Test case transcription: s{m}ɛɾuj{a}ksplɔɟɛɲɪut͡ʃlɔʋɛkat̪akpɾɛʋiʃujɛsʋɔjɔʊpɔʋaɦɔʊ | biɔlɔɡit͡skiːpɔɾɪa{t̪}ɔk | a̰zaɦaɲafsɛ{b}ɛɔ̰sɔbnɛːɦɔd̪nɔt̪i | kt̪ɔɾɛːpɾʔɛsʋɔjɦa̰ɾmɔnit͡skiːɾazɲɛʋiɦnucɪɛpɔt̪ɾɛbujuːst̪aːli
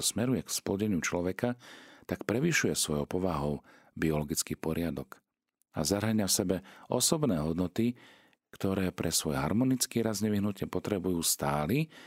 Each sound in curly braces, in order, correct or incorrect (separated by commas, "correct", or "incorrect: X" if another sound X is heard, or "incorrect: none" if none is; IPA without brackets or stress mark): correct, incorrect: ɛ, incorrect: d̪, correct